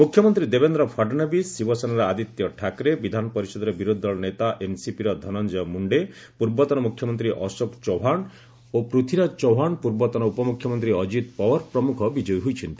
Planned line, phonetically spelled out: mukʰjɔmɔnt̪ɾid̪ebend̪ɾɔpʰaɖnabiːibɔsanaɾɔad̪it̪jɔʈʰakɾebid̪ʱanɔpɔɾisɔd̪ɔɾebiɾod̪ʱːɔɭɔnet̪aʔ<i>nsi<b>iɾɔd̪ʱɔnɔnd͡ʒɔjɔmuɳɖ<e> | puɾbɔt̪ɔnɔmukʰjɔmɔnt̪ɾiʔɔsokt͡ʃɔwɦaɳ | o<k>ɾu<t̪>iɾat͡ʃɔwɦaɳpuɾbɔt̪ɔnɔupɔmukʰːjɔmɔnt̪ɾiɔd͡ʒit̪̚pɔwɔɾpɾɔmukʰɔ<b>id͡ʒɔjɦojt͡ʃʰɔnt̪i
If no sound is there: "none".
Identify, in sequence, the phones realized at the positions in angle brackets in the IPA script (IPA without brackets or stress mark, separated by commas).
e, p, e, p, t̪ʰ, b